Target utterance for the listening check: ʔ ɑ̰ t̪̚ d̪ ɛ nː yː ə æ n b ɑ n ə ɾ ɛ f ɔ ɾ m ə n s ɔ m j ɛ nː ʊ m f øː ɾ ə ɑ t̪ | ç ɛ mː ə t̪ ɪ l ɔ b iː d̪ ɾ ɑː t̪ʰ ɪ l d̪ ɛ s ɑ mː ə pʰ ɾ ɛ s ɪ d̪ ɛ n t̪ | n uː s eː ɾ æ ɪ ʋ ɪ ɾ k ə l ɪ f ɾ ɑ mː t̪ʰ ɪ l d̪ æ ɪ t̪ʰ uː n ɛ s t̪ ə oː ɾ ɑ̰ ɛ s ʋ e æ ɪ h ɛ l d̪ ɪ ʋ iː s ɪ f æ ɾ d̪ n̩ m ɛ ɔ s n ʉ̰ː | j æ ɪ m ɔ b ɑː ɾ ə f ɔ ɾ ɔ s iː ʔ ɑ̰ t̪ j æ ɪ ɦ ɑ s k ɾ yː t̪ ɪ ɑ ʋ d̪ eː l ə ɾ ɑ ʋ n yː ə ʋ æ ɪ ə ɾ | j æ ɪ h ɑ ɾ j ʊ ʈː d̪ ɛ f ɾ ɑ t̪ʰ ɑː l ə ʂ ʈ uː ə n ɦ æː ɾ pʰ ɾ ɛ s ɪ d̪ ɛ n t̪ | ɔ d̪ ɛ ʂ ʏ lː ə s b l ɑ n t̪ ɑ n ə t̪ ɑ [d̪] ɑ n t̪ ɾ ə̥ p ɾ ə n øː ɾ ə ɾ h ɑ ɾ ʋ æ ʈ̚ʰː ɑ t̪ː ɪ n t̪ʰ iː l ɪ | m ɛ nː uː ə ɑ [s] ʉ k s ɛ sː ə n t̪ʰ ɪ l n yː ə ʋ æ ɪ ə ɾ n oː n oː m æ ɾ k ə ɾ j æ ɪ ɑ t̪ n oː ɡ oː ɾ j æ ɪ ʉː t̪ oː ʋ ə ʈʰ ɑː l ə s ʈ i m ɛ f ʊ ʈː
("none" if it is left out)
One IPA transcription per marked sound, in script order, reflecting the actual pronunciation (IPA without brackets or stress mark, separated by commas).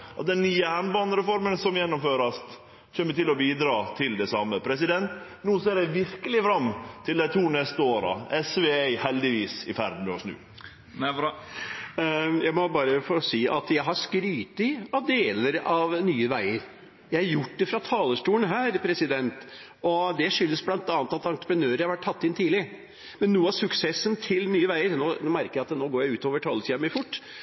t̪, s